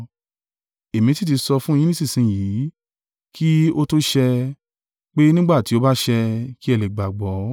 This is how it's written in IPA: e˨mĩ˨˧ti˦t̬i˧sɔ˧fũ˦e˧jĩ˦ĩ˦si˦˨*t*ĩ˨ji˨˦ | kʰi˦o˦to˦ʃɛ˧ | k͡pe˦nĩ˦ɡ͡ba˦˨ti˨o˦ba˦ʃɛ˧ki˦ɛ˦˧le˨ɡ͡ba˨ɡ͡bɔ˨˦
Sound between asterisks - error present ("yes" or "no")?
yes